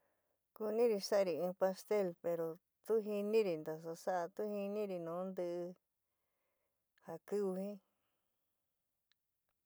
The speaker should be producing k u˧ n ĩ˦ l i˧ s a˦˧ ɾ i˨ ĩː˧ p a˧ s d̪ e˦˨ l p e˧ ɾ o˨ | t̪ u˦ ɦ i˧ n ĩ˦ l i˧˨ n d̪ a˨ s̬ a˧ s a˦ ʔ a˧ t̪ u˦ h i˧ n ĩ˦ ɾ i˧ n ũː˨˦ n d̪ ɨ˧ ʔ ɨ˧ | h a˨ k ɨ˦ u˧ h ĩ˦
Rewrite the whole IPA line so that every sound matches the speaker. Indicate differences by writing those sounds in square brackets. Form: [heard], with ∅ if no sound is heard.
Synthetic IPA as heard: k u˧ n ĩ˦ [ɾ] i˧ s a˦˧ ɾ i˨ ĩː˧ p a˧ s [t̪] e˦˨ l p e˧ ɾ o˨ | t̪ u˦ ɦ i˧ n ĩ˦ [ɾ] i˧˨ n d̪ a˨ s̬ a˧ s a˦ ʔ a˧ t̪ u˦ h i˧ n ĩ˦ ɾ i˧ n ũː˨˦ n d̪ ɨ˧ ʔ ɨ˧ | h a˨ k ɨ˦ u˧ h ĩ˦